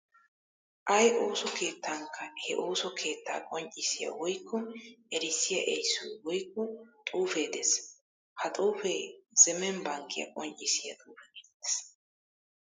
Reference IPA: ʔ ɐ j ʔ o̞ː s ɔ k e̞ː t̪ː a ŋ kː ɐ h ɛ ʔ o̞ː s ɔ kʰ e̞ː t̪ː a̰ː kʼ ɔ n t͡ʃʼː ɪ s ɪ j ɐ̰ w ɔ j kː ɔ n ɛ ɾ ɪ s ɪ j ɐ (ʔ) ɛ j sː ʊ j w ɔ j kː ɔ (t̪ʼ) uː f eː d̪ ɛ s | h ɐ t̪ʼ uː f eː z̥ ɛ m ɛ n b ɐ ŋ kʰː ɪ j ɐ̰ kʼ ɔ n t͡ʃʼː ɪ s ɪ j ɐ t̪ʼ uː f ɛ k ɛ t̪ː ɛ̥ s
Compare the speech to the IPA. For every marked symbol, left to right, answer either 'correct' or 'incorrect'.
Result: correct, correct

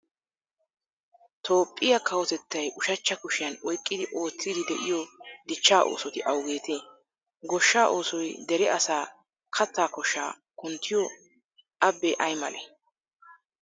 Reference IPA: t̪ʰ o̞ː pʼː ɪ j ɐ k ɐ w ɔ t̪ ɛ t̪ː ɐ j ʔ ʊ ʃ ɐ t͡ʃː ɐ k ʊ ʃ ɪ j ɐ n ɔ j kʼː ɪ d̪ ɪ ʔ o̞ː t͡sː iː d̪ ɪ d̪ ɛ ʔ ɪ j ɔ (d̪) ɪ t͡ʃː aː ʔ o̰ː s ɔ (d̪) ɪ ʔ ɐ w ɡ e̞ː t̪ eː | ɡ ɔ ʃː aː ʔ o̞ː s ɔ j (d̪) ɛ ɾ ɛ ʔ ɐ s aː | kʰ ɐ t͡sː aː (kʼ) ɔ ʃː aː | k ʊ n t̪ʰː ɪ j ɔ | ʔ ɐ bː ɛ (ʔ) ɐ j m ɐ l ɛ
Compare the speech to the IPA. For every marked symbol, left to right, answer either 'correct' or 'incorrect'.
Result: correct, incorrect, correct, incorrect, correct

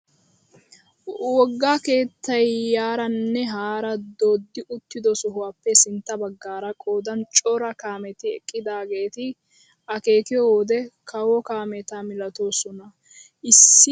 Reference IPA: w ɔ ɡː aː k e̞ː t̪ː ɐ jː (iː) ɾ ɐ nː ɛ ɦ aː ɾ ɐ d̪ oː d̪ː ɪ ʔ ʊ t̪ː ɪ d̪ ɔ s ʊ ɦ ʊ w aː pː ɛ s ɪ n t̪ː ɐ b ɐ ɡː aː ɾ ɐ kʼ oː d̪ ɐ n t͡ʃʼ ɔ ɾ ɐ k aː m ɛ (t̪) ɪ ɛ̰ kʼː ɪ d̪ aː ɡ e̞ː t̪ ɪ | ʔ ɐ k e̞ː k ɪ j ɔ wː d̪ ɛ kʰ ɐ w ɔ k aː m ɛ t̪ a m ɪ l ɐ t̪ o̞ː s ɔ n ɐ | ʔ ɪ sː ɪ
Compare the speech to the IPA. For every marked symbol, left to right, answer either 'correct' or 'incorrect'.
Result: incorrect, correct

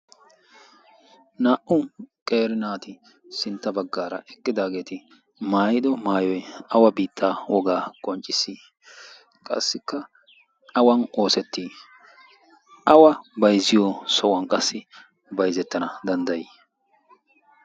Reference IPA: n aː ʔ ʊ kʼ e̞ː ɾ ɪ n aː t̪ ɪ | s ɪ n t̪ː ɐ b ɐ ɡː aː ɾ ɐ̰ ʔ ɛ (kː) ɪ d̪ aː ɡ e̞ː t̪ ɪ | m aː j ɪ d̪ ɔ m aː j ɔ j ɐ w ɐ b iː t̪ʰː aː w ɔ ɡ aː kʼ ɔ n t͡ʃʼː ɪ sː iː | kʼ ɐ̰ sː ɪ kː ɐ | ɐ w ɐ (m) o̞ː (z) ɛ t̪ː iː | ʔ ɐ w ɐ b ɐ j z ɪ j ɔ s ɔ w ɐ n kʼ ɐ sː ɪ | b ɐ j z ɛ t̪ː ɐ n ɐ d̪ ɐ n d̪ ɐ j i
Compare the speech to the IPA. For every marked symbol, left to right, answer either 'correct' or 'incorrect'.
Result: correct, incorrect, incorrect

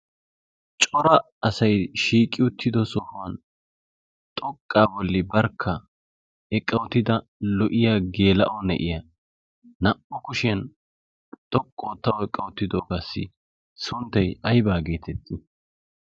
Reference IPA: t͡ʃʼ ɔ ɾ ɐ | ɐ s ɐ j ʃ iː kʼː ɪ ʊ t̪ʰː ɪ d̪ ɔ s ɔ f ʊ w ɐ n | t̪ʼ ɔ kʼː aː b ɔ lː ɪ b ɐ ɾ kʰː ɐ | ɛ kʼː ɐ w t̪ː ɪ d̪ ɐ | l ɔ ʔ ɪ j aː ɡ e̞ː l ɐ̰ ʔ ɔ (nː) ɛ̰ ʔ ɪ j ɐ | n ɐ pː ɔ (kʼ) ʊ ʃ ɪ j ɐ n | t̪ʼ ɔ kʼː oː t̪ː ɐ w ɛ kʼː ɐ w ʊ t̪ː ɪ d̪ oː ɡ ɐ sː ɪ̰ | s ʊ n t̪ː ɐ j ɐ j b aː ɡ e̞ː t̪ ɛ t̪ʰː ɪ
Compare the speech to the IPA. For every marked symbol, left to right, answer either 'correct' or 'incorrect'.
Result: incorrect, incorrect

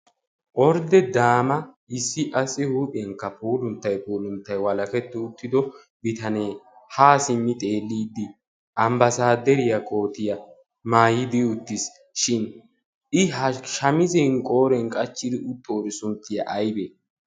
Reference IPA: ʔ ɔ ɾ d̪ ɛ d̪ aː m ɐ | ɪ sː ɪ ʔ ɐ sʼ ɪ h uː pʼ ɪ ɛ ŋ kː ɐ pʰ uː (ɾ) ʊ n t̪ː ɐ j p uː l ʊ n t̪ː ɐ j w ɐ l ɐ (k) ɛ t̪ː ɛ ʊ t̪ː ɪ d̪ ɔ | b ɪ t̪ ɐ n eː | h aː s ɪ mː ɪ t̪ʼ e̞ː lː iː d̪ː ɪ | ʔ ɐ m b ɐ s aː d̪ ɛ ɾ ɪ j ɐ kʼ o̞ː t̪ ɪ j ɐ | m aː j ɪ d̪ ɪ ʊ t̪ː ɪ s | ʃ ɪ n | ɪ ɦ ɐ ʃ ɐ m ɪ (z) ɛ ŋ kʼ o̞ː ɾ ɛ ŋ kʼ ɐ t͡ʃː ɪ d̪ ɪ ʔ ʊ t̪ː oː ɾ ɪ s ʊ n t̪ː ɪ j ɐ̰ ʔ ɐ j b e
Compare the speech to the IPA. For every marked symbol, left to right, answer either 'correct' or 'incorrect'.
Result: incorrect, correct, correct

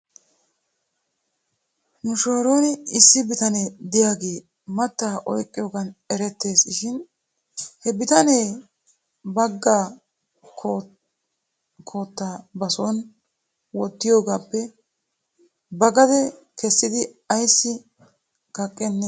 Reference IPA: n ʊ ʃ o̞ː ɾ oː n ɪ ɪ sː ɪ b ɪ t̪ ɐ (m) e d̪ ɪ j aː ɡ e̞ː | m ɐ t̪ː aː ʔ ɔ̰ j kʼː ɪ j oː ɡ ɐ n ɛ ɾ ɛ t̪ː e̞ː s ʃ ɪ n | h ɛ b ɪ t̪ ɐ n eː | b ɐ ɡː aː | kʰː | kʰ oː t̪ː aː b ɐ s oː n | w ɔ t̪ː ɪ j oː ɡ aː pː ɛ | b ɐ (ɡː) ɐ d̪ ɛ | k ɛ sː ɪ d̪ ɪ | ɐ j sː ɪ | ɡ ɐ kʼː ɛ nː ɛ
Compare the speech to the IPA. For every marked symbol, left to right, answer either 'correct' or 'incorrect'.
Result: incorrect, incorrect

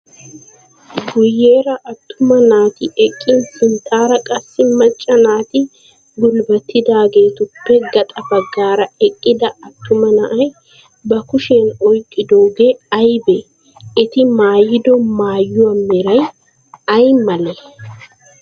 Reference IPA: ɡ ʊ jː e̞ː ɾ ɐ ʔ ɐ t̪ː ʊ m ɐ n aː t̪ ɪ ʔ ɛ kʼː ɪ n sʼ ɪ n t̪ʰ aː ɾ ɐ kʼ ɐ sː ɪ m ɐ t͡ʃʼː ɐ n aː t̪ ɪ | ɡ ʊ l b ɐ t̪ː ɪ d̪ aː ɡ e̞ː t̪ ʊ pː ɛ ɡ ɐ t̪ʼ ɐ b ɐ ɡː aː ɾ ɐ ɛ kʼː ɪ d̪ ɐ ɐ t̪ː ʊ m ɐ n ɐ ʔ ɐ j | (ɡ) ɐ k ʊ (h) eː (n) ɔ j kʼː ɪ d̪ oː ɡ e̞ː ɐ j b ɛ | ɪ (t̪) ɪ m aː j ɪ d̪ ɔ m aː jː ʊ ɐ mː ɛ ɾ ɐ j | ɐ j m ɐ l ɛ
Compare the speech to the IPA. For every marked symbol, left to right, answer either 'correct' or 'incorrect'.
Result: incorrect, incorrect, correct, correct

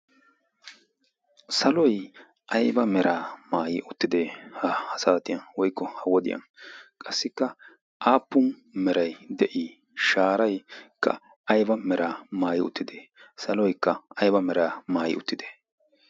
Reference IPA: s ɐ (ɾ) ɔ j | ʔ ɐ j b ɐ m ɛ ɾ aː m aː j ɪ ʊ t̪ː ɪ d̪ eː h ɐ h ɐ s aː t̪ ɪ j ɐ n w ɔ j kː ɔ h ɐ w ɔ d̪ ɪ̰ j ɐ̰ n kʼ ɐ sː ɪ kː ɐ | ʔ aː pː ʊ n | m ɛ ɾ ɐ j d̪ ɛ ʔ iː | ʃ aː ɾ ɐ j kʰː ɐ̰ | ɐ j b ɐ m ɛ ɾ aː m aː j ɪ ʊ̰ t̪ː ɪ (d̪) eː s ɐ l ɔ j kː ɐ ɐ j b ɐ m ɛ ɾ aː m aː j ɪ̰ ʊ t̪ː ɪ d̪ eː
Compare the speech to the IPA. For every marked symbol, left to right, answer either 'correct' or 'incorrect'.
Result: incorrect, correct

